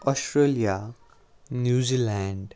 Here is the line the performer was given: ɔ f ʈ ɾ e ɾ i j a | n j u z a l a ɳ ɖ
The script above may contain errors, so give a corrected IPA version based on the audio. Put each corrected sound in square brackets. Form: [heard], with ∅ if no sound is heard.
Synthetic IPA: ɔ [s] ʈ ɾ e [l] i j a | n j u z [i] l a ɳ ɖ